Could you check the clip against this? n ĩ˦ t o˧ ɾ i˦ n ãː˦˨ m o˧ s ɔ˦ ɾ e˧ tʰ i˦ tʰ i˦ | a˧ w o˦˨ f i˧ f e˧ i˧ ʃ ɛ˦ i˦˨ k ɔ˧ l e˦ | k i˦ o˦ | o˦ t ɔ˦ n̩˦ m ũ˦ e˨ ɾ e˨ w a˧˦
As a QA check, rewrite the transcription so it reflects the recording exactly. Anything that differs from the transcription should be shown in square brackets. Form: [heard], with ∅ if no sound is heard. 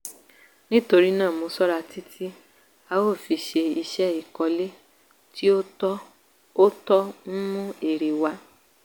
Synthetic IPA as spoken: n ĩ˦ t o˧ ɾ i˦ n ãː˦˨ m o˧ s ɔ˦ ɾ [a˧] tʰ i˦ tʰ i˦ | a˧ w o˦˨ f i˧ [ʃ] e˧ i˧ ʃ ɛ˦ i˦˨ k ɔ˧ l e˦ | [t] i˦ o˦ | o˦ t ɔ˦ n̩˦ m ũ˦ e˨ ɾ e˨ w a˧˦